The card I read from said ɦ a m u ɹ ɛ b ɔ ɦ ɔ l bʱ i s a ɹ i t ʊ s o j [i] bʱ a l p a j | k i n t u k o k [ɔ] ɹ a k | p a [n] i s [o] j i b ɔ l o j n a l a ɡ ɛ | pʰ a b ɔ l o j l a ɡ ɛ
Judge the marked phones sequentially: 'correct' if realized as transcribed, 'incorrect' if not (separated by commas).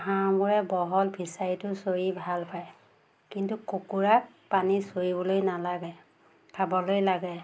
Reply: correct, incorrect, correct, correct